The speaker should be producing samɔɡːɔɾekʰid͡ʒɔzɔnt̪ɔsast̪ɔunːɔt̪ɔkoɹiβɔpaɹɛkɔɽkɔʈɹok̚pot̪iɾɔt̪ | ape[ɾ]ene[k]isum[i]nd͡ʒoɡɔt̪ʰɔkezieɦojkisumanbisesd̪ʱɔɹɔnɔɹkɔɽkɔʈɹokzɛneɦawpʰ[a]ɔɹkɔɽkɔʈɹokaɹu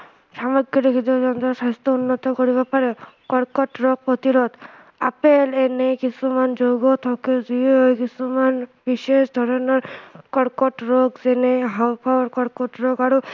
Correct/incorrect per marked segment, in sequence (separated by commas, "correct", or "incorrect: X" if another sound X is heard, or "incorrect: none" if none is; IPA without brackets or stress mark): incorrect: l, correct, incorrect: a, correct